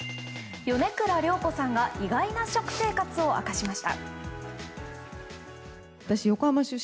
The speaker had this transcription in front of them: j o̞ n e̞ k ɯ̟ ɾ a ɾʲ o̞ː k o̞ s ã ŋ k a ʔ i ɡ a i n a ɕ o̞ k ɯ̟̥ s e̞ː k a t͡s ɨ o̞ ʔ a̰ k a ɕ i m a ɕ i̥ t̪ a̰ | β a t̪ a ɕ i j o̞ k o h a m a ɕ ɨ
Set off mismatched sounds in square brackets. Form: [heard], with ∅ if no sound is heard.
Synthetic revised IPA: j o̞ n e̞ k ɯ̟ ɾ a ɾʲ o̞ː k o̞ s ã ŋ [ɡ] a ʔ i ɡ a i n a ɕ o̞ k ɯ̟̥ s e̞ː k a t͡s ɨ o̞ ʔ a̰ k a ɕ i m a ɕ i̥ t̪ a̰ | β a t̪ a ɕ i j o̞ k o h a m a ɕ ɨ